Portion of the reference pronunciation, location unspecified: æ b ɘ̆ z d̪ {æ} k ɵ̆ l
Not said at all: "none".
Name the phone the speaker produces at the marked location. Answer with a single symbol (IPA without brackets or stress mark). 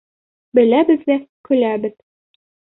æ